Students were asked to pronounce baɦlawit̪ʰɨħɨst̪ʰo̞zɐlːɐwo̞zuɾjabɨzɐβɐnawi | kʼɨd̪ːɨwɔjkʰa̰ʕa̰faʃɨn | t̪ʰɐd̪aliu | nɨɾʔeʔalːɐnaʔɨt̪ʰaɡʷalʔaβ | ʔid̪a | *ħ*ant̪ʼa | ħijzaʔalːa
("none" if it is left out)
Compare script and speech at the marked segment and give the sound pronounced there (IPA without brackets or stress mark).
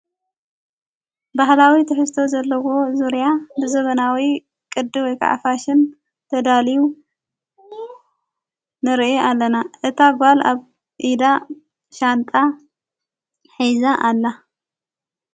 ʃ